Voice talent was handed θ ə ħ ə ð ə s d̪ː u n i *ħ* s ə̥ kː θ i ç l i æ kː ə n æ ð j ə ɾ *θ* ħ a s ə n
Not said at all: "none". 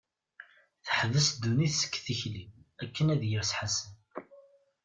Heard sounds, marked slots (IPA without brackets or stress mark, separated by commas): θ, s